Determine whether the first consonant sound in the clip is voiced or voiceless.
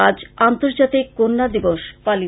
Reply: voiced